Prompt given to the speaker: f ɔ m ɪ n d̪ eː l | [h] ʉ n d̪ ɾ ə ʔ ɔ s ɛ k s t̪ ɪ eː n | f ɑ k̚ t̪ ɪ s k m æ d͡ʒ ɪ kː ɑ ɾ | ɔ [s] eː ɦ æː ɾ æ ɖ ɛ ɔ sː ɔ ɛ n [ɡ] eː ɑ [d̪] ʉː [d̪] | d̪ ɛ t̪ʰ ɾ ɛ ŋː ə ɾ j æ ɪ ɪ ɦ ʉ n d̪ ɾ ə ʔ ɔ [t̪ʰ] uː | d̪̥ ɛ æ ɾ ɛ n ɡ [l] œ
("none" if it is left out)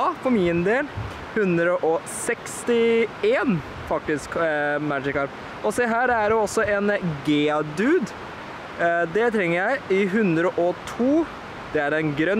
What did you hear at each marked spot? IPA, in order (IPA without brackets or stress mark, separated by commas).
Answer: h, s, ɡ, d̪, d̪, t̪ʰ, ɾ